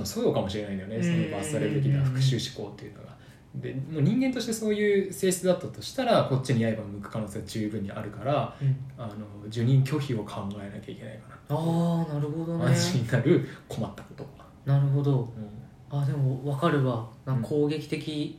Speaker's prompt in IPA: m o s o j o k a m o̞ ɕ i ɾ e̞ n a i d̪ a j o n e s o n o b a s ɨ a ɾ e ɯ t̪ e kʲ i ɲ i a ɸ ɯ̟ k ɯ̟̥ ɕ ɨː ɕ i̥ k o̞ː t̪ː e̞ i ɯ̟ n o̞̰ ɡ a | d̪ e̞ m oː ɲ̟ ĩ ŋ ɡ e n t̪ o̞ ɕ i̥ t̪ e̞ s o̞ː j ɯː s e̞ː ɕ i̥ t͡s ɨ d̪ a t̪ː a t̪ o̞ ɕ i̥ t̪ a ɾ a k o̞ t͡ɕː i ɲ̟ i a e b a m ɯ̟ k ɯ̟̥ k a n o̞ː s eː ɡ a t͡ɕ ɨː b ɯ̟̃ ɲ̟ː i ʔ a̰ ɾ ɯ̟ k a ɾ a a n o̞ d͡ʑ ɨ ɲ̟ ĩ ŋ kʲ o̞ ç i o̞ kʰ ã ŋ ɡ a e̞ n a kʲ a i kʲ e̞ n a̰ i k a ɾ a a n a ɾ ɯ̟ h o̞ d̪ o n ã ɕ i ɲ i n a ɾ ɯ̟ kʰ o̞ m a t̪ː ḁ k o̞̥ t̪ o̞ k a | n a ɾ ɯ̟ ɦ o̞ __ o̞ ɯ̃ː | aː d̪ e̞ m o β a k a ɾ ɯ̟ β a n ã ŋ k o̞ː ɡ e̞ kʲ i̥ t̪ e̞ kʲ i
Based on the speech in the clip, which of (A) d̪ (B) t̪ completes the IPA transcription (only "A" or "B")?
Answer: A